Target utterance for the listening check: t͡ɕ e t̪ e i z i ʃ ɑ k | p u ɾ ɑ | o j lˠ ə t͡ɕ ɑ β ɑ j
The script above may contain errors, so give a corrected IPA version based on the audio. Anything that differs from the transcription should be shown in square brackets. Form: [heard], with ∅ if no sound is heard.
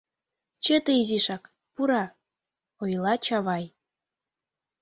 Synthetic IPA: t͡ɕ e t̪ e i z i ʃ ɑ k | p u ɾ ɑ | o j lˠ [ɑ] t͡ɕ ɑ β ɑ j